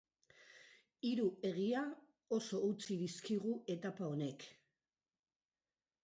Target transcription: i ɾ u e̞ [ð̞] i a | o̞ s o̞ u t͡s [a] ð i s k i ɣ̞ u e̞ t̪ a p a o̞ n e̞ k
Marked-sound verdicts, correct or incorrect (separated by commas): incorrect, incorrect